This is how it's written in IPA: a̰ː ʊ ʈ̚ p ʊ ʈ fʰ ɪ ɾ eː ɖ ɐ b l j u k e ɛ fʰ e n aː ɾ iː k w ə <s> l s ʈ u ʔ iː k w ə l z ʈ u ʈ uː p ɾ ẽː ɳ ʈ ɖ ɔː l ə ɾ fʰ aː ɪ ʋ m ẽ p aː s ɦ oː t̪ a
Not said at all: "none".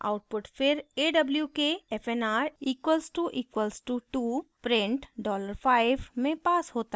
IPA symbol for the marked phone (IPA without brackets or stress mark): none